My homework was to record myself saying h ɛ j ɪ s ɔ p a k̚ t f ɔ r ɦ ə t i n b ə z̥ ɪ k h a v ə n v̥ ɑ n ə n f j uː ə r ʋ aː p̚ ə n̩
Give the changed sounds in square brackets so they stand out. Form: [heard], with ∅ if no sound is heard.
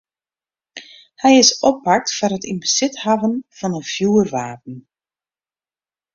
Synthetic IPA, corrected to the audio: h ɛ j ɪ s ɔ p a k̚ t f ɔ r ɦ ə t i n b ə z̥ ɪ [t] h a v ə n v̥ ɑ n ə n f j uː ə r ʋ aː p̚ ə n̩